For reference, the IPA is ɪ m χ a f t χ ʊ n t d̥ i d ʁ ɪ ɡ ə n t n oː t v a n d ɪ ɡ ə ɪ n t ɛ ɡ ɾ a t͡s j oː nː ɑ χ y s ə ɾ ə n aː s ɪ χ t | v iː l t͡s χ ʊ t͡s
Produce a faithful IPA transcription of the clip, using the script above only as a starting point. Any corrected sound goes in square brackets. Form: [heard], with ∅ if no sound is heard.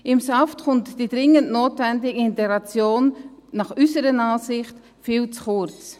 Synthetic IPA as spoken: ɪ m [s] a f t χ ʊ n t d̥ i d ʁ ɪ [ŋ] ə n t n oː t v [ɛ] n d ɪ ɡ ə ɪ n t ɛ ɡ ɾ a t͡s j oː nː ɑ χ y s ə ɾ ə n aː s ɪ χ t | [f] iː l t͡s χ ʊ t͡s